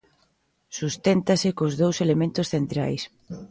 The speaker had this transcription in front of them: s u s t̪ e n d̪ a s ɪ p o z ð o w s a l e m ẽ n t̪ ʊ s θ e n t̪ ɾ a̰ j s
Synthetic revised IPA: s u s t̪ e n t̪ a s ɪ k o z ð o w s e l e m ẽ n t̪ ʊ s θ e n t̪ ɾ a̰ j s

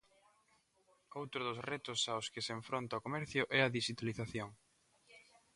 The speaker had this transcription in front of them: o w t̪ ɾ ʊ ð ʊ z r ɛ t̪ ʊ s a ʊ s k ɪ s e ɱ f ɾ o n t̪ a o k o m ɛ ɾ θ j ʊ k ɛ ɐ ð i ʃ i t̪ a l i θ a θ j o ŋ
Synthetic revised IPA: o w t̪ ɾ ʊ ð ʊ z r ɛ t̪ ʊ s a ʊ s k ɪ s e ɱ f ɾ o n t̪ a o k o m ɛ ɾ θ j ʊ ʔ ɛ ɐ ð i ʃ i t̪ a l i θ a θ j o ŋ

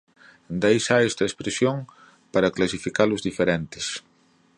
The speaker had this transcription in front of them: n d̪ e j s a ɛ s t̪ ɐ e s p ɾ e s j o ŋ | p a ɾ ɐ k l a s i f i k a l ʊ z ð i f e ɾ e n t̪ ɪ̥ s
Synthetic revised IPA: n d̪ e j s a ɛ s t̪ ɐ e s p ɾ e s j o ŋ | p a ɾ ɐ k l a s i f i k a l ʊ z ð i f e ɾ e n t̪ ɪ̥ s

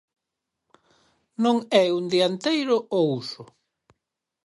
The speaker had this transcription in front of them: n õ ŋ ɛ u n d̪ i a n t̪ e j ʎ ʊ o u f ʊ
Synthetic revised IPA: n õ ŋ ɛ u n d̪ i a n t̪ e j ɾ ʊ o u s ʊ

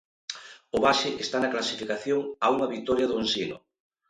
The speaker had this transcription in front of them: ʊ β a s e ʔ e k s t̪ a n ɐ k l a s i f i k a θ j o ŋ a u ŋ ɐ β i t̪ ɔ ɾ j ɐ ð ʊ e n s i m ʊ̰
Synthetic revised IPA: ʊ β a ʃ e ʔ e s t̪ a n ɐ k l a s i f i k a θ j o ŋ a u ŋ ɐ β i t̪ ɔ ɾ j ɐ ð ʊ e n s i n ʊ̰

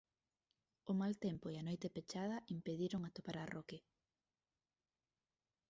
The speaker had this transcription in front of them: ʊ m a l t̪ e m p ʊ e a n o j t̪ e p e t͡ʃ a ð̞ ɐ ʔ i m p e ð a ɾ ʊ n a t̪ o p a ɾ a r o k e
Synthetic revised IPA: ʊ m a l t̪ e m p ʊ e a n o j t̪ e p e t͡ʃ a ð̞ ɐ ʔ i m p e ð i ɾ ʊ ŋ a t̪ o p a ɾ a r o k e

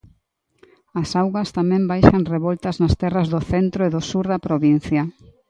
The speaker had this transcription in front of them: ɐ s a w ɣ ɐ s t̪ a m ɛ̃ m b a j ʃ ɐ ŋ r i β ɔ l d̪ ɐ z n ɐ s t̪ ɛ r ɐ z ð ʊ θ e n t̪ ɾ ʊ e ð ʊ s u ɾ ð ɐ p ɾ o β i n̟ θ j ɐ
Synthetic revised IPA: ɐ s a w ɣ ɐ s t̪ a m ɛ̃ m b a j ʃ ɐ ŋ r e β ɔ l t̪ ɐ z n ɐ s t̪ ɛ r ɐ z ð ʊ θ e n t̪ ɾ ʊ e ð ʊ s u ɾ ð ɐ p ɾ o β i n̟ θ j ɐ

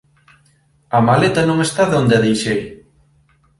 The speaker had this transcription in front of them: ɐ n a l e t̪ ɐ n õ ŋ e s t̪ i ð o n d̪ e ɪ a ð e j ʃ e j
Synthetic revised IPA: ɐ m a l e t̪ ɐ n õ ŋ e s t̪ a ð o n d̪ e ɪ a ð e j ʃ e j

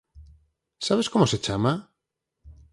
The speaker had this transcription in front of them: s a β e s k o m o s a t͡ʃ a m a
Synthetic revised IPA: s a β e s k o m o s e t͡ʃ a m a

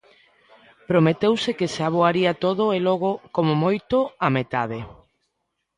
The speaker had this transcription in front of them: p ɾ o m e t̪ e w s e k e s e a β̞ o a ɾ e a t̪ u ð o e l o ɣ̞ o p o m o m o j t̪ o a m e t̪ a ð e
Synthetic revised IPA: p ɾ o m e t̪ e w s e k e s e a β̞ o a ɾ i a t̪ o ð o e l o ɣ̞ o k o m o m o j t̪ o a m e t̪ a ð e

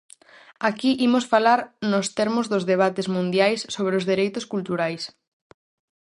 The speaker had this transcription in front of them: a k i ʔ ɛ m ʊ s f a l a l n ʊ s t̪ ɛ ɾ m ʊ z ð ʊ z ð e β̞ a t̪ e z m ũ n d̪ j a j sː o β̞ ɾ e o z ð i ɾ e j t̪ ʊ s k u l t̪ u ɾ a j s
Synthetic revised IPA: a k i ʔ i m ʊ s f a l a ɾ n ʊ s t̪ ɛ ɾ m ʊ z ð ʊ z ð e β̞ a t̪ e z m ũ n d̪ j a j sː o β̞ ɾ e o z ð i ɾ e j t̪ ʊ s k u l t̪ u ɾ a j s

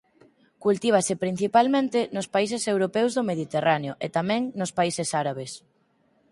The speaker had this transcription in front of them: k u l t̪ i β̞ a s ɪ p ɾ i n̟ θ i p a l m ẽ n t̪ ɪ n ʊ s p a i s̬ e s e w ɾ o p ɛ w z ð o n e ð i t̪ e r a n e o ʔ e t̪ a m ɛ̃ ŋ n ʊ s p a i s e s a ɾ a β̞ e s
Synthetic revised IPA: k u l t̪ i β̞ a s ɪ p ɾ i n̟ θ i p a l m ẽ n t̪ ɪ n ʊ s p a i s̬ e s e w ɾ o p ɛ w z ð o m e ð i t̪ e r a n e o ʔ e t̪ a m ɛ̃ ŋ n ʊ s p a i s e s a ɾ a β̞ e s

